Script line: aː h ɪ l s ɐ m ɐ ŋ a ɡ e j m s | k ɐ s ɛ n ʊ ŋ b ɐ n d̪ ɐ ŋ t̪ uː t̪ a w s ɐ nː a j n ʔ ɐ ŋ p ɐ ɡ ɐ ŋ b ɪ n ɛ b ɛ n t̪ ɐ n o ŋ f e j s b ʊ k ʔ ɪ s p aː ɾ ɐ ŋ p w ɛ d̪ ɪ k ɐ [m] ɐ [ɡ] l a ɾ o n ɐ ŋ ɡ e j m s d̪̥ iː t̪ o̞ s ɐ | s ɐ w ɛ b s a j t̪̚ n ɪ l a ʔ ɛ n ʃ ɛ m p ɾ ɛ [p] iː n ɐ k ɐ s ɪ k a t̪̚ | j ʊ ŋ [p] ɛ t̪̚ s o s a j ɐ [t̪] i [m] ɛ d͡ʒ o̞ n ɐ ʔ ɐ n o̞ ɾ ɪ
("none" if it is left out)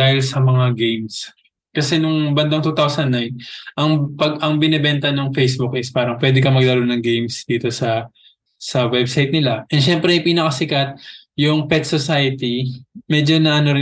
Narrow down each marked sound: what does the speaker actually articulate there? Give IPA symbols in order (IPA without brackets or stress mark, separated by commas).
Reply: m, ɡ, p, p, t̪, m